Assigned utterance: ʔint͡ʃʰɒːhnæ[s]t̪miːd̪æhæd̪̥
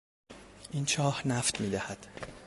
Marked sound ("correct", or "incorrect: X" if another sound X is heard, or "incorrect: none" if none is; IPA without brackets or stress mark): incorrect: f